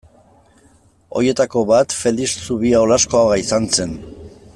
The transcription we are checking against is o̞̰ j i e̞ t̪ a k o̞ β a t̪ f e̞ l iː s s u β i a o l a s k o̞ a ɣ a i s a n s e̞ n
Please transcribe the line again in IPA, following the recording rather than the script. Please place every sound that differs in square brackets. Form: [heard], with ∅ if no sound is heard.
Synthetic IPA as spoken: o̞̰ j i e̞ t̪ a k o̞ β a t̪ f e̞ l [i] s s u β i a o l a s k o̞ a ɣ a i s a n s e̞ n